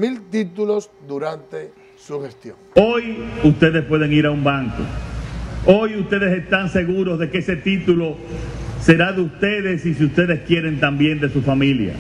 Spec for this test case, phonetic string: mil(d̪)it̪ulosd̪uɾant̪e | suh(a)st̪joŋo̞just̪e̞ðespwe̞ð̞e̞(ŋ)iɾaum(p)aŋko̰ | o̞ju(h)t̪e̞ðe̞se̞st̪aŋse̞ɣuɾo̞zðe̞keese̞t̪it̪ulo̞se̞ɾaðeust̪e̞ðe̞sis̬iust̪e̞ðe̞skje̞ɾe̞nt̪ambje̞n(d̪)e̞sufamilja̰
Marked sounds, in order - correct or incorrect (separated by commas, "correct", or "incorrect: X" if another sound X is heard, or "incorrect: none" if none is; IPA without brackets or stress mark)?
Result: incorrect: t̪, incorrect: e, correct, incorrect: b, incorrect: s, correct